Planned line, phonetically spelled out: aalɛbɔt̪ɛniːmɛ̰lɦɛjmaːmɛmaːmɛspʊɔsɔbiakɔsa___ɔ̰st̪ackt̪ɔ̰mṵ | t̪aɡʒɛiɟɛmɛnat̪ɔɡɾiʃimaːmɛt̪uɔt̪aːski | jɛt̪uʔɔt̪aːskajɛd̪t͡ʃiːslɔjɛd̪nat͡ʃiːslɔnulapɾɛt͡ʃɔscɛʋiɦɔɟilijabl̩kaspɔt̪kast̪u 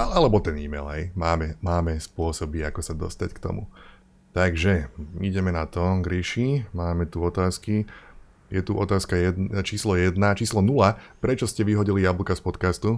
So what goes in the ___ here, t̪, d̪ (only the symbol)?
d̪